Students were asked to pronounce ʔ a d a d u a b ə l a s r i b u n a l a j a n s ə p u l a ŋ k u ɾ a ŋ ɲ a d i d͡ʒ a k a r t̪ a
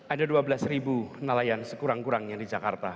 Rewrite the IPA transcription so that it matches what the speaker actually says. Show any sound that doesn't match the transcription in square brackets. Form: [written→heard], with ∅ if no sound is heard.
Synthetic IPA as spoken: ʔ a d a d u a b ə l a s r i b u n a l a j a n s ə [p→k] u [l→ɾ] a ŋ k u ɾ a ŋ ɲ a d i d͡ʒ a k a r t̪ a